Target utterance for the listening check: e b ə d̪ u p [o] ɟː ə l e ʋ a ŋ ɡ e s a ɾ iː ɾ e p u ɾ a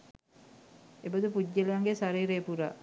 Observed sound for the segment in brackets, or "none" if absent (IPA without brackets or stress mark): u